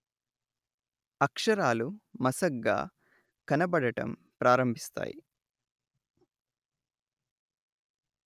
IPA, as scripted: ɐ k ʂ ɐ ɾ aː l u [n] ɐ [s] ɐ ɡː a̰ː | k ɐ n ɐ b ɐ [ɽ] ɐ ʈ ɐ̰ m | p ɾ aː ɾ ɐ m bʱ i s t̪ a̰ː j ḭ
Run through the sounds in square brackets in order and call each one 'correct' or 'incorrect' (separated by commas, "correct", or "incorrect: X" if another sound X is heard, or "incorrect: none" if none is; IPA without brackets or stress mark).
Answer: incorrect: m, correct, correct